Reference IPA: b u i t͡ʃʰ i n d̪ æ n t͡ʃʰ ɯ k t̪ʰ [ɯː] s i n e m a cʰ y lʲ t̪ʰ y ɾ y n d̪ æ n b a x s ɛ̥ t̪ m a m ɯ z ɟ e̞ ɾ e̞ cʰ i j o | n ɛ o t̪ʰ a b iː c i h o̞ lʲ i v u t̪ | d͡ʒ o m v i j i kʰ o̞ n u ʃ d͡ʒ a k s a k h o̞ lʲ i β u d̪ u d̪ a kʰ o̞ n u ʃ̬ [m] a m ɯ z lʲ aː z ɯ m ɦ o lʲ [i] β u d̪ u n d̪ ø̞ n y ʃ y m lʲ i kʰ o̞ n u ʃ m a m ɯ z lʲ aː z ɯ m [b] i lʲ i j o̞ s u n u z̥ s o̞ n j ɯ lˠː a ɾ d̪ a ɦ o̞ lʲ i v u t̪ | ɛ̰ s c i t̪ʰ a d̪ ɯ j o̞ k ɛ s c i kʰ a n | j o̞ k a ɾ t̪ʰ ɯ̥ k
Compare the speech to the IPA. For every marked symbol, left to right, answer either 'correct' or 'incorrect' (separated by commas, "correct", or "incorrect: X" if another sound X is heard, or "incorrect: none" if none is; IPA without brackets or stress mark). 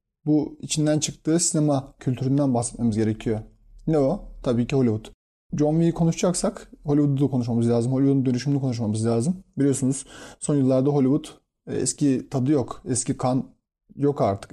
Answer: correct, correct, correct, correct